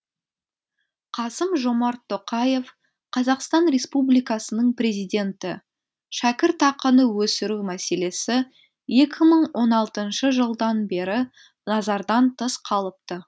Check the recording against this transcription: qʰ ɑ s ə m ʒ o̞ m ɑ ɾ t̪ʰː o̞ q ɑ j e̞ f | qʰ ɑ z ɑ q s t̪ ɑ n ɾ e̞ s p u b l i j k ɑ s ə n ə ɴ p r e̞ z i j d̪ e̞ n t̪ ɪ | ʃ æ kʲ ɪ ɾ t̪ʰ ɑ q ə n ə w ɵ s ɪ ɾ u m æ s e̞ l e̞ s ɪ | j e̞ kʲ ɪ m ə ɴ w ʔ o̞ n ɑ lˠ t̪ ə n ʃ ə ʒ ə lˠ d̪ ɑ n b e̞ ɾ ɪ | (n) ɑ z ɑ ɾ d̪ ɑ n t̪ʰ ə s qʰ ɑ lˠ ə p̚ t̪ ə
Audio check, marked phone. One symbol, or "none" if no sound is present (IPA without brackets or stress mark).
n